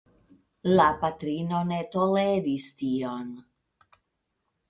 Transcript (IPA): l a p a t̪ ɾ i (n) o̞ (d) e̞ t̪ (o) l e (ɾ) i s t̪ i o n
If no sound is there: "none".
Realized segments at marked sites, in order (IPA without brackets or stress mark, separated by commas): n, n, o, ɾ